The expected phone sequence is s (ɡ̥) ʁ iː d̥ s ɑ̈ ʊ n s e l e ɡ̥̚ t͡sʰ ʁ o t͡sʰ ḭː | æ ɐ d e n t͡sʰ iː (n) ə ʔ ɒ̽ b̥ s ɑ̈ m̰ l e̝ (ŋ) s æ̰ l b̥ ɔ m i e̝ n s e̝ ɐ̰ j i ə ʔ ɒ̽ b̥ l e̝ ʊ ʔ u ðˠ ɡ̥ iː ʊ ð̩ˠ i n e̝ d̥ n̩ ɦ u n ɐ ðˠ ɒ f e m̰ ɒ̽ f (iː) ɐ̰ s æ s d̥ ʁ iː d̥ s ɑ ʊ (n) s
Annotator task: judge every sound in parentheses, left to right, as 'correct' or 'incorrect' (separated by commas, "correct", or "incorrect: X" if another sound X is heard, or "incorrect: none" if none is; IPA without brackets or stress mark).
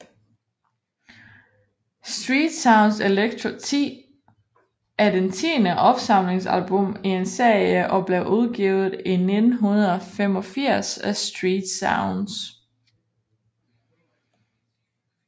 incorrect: d̥, correct, correct, incorrect: i, correct